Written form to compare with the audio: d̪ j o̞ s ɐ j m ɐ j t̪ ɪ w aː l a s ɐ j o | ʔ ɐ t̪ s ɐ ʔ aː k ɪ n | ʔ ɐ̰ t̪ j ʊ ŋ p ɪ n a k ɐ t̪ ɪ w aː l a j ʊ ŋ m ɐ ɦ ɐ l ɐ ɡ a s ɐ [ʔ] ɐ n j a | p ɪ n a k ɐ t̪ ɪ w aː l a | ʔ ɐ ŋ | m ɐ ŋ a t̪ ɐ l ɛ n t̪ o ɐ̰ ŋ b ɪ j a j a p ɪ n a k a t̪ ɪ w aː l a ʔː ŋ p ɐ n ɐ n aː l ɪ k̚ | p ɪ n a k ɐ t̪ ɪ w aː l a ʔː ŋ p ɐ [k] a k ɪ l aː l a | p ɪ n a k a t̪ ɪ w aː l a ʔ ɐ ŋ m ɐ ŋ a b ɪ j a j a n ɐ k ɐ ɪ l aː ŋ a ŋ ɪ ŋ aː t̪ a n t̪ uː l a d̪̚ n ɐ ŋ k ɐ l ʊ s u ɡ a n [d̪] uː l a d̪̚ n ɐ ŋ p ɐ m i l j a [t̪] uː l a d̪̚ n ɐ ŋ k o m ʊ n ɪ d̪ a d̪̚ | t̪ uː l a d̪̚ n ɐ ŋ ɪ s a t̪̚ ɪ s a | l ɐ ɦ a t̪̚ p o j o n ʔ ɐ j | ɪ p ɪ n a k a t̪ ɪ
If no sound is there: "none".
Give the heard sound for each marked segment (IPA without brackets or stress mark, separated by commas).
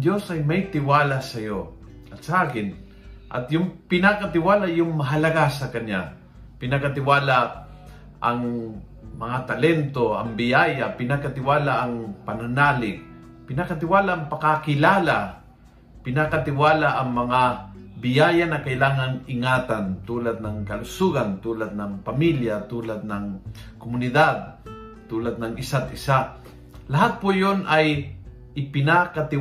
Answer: k, k, t̪, t̪